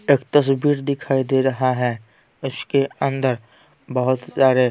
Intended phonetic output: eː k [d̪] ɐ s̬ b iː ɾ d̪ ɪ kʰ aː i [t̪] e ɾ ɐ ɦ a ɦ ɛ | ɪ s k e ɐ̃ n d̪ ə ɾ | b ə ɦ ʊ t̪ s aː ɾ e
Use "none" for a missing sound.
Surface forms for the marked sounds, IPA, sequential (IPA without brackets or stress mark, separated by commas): t̪, d̪